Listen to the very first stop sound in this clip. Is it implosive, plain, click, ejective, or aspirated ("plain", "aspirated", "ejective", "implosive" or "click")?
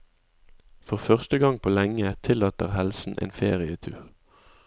plain